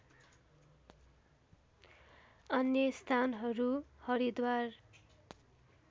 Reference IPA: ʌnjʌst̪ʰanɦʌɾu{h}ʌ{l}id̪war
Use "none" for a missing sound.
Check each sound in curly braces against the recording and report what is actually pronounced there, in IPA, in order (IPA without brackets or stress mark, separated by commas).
h, ɾ